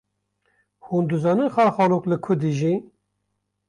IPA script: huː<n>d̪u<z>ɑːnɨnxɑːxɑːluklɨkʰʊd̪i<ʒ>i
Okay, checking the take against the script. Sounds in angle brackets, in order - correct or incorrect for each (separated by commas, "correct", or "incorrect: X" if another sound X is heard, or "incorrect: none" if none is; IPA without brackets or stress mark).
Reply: correct, correct, correct